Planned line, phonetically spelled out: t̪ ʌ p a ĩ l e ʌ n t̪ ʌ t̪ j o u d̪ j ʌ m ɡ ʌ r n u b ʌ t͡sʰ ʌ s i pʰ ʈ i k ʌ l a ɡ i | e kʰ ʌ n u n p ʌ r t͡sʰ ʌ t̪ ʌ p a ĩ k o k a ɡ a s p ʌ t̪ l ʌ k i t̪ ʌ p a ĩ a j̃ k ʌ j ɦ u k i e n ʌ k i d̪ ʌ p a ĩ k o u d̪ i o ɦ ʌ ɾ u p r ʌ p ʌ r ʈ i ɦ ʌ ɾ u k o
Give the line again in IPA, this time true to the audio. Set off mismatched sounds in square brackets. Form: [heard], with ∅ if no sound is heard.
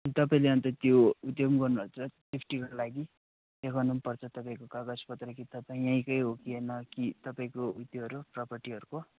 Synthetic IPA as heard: t̪ ʌ p a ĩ l e ʌ n t̪ ʌ t̪ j o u d̪ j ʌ m ɡ ʌ r n u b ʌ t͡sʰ ʌ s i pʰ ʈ i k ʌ l a ɡ i | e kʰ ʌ n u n p ʌ r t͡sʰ ʌ t̪ ʌ p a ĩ k o k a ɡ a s p ʌ t̪ [r] ʌ k i t̪ ʌ p a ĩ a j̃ k ʌ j ɦ [o] k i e n ʌ k i [t̪] ʌ p a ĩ k o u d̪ [j] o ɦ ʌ ɾ u p r ʌ p ʌ r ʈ i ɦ ʌ ɾ u k o

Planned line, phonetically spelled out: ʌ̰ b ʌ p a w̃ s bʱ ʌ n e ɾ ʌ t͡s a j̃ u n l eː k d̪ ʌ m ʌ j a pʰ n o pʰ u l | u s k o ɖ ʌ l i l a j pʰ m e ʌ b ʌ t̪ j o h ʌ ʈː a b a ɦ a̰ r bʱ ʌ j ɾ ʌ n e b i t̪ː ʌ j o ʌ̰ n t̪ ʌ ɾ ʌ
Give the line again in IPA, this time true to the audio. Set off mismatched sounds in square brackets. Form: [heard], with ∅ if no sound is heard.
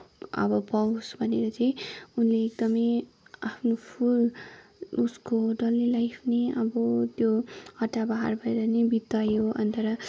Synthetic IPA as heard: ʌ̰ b ʌ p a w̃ s bʱ ʌ n e ɾ ʌ t͡s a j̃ u n l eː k d̪ ʌ m ʌ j a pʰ n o pʰ u l | u s k o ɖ ʌ l i l a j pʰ [n] e ʌ b ʌ t̪ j o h ʌ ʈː a b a ɦ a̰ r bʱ ʌ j ɾ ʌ n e b i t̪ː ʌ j o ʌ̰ n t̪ ʌ ɾ ʌ

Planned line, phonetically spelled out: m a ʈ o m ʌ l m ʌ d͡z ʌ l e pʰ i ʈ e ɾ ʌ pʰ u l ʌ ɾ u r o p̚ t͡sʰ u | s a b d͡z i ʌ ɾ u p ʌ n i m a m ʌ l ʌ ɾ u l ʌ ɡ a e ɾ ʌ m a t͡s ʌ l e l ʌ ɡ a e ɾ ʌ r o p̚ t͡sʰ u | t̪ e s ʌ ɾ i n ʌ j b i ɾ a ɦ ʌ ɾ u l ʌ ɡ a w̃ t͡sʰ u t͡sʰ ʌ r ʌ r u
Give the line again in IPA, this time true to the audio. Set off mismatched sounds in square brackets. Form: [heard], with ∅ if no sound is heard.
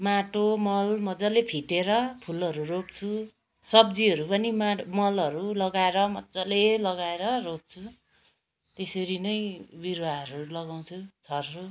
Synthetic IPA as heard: m a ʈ o m ʌ l m ʌ d͡z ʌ l e pʰ i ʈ e ɾ ʌ pʰ u l ʌ ɾ u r o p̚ t͡sʰ u | s [ʌ] b d͡z i ʌ ɾ u p ʌ n i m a m ʌ l ʌ ɾ u l ʌ ɡ a e ɾ ʌ m [ʌ] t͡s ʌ l e l ʌ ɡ a e ɾ ʌ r o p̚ t͡sʰ u | t̪ e s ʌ ɾ i n ʌ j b i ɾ a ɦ ʌ ɾ u l ʌ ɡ a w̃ t͡sʰ u t͡sʰ ʌ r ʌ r u

